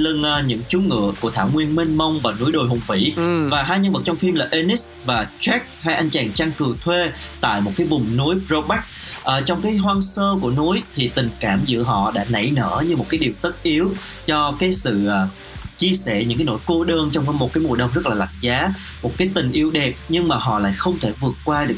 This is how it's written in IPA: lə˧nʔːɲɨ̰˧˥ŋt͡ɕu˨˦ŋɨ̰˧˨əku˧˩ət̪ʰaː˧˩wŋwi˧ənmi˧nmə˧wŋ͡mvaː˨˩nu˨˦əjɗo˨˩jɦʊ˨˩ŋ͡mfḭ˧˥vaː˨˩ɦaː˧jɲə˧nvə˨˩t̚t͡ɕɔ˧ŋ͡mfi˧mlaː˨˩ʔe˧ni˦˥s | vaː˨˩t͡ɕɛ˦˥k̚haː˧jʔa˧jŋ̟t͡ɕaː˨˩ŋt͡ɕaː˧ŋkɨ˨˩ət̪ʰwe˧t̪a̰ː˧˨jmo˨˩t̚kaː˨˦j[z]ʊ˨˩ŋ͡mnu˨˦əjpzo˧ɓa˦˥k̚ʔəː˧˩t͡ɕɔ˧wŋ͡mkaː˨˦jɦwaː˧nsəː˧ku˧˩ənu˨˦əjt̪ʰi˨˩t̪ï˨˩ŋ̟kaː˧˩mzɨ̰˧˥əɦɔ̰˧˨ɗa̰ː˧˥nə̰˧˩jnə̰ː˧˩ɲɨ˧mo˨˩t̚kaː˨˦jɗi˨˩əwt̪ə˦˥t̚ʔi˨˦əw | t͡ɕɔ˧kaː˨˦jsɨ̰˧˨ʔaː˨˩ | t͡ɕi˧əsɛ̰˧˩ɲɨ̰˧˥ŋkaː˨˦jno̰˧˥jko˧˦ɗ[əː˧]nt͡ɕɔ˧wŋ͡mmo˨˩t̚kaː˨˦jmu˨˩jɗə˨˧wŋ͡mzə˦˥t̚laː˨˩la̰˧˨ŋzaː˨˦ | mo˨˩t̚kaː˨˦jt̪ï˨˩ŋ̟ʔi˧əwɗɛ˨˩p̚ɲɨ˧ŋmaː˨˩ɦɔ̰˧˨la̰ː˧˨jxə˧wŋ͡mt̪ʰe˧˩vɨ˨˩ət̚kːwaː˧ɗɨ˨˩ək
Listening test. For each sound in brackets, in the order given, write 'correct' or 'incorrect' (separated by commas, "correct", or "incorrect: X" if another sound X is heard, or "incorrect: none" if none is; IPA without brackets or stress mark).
incorrect: v, correct